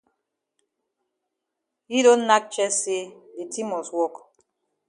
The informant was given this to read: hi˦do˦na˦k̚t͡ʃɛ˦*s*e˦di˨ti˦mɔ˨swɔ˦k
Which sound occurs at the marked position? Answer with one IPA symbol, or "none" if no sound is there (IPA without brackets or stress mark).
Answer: s